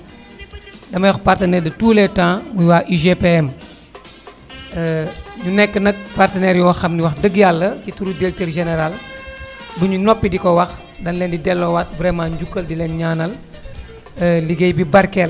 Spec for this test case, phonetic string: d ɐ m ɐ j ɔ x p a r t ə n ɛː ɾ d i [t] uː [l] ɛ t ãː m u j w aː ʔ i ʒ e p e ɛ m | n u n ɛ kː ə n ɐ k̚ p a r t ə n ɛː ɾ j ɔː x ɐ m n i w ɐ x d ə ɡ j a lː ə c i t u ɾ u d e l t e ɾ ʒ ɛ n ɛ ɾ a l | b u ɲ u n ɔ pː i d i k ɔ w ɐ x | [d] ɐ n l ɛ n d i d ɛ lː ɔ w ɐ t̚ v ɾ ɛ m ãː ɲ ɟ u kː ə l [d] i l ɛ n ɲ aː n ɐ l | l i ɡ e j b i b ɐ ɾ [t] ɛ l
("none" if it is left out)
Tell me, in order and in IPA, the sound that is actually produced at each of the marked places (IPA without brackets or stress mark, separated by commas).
t, l, d, d, k